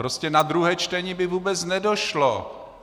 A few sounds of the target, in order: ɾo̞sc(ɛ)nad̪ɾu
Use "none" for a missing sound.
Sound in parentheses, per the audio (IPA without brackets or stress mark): ɛ